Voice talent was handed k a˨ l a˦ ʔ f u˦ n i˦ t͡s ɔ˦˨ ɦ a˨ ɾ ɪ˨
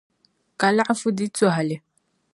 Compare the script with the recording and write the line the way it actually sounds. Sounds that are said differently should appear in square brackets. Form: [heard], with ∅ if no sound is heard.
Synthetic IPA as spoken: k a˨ l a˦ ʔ f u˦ [d] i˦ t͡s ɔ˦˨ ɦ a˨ [l] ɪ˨